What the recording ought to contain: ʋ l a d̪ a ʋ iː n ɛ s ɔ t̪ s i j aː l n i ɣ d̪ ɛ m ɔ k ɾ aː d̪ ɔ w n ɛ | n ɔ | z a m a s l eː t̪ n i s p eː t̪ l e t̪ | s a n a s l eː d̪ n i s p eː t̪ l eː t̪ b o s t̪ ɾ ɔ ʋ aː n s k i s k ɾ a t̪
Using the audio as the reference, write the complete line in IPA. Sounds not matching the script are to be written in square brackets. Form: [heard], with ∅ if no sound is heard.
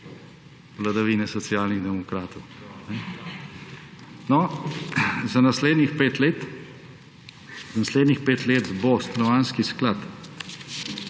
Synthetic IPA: ʋ l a d̪ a ʋ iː n ɛ s ɔ t̪ s i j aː l n i ɣ d̪ ɛ m ɔ k ɾ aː [t̪] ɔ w n ɛ | n ɔ | z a [n] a s l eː [d̪] n i [x] p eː t̪ l e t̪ | [z] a n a s l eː d̪ n i [x] p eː t̪ l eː t̪ b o s t̪ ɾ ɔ ʋ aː n s k i s k [l] a t̪